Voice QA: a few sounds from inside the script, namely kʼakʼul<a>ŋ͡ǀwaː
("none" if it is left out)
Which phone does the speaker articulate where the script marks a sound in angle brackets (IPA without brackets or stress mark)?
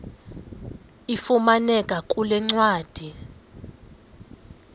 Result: ɛ